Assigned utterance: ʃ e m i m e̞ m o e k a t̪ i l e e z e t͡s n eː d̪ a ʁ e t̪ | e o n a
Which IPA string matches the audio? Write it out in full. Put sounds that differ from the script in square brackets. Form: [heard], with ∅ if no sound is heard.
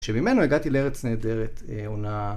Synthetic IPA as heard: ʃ e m i m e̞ [n] o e [ɡ] a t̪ i l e e [ʁ] e t͡s n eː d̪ [e] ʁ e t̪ | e o n a